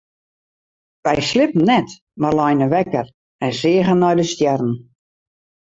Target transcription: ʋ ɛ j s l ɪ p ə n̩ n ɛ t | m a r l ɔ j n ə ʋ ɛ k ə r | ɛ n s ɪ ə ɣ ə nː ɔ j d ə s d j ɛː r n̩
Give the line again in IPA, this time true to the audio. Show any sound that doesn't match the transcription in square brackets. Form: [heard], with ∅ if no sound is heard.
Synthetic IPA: ʋ ɛ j s l ɪ p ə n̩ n ɛ t | m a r l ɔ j n ə ʋ ɛ k ə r | ɛ n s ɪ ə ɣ ə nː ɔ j d ə s [t] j [ɛ] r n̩